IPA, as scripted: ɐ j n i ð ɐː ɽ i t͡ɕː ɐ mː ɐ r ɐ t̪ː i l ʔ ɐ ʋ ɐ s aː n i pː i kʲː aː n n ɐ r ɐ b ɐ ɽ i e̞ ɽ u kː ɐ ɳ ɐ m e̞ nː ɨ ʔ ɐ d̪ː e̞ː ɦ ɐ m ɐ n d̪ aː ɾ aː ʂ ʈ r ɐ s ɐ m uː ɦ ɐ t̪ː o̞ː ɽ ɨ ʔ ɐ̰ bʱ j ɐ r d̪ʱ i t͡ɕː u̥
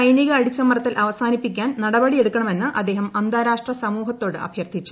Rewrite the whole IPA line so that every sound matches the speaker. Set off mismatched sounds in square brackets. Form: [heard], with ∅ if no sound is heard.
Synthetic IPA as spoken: ɐ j n i [ɣ] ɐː ɽ i t͡ɕː ɐ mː ɐ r ɐ t̪ː i l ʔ ɐ ʋ ɐ s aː n i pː i kʲː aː n n ɐ [ɽ] ɐ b ɐ ɽ i e̞ ɽ u kː ɐ ɳ ɐ m e̞ nː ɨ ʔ ɐ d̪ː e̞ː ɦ ɐ m ɐ n d̪ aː ɾ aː ʂ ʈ r ɐ s ɐ m uː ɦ ɐ t̪ː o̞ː ɽ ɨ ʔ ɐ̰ bʱ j ɐ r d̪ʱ i t͡ɕː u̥